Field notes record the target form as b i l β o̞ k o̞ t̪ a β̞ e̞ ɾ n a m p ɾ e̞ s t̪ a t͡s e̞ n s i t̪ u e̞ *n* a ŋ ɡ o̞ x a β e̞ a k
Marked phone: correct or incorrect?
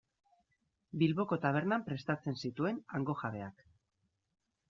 correct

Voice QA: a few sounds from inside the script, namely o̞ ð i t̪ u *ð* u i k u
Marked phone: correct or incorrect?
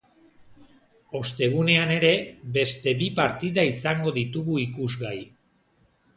incorrect: ɣ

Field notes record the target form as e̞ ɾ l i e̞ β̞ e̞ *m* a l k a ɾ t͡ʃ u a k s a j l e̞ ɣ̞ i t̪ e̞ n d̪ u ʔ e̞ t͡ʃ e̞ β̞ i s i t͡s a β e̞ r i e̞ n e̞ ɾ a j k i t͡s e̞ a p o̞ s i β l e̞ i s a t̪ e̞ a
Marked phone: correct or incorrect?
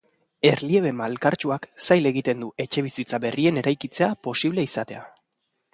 correct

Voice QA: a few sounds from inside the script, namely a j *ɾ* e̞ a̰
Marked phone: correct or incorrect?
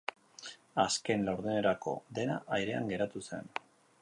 correct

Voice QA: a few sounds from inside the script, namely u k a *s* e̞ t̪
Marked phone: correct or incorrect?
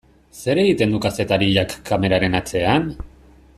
correct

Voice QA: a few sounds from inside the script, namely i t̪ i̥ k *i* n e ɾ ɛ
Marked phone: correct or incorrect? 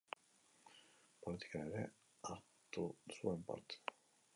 incorrect: a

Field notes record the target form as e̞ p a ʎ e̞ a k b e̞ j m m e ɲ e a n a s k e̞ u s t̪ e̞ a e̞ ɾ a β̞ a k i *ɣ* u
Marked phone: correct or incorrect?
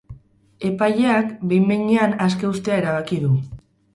incorrect: ð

